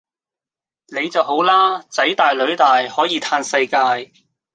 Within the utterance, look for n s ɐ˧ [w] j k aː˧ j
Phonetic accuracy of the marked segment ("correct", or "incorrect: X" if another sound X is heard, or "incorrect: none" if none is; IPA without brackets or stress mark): incorrect: none